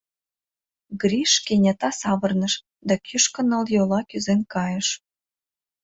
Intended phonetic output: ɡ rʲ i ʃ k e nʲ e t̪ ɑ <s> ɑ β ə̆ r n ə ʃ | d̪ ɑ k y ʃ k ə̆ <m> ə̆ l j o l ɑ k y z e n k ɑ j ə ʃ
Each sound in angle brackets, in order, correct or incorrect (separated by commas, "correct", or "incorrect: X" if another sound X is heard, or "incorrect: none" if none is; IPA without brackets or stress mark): correct, incorrect: n